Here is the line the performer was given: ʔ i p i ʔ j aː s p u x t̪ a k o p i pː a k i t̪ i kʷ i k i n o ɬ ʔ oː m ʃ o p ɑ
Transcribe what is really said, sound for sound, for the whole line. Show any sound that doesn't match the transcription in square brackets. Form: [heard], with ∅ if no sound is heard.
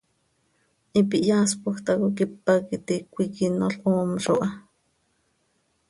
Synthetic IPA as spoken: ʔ i p i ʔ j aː s p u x t̪ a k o [k] i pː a k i t̪ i kʷ i k i n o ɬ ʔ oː m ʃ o [ʔ] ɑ